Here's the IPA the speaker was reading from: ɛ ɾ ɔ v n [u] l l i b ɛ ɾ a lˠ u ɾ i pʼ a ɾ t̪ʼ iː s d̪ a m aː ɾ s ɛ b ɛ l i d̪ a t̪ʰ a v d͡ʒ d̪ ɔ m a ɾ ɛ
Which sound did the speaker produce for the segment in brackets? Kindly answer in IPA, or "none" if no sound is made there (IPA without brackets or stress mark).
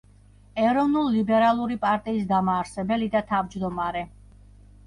u